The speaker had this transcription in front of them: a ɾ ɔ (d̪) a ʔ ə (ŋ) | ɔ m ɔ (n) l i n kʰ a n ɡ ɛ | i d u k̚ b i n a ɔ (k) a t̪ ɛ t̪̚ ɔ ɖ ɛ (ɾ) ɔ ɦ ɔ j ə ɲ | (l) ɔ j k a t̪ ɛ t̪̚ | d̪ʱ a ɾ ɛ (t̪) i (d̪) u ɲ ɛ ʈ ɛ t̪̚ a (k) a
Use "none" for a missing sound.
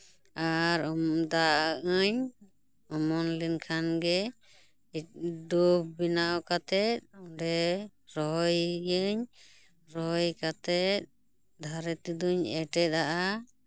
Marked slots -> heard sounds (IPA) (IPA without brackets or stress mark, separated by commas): d̪, ɲ, n, k, ɾ, ɾ, t̪, d̪, ʔ